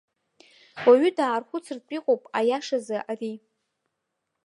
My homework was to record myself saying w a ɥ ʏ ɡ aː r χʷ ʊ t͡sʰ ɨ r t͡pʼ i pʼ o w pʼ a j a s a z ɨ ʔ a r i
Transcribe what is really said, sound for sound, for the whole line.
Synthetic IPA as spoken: w a ɥ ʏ d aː r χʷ ʊ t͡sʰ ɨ r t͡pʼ i qʼ o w pʼ a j a ʂ a z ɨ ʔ a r i